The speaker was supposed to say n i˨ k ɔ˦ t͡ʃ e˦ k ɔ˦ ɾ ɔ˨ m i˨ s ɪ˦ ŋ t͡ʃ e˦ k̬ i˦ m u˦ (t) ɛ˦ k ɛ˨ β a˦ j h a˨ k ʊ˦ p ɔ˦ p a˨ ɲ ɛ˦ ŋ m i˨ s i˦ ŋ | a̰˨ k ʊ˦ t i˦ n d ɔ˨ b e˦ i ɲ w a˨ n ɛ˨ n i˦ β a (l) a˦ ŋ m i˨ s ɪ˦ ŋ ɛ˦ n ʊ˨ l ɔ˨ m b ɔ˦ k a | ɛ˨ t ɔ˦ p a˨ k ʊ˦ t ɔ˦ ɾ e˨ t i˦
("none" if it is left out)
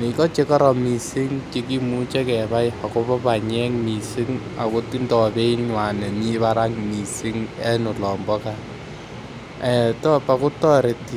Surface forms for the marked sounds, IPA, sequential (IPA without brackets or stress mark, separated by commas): t͡ʃ, ɾ